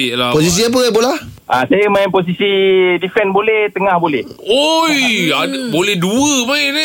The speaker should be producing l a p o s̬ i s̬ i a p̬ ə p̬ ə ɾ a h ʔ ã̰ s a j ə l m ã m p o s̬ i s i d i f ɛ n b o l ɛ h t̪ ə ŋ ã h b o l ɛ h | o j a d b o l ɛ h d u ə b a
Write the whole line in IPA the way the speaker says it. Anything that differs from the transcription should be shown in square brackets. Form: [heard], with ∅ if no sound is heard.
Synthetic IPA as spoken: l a p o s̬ i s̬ i a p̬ ə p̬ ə [l] a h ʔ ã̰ s a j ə [∅] m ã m p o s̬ i s i d i f ɛ n b o l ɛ h t̪ ə ŋ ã h b o l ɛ h | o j a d b o l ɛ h d u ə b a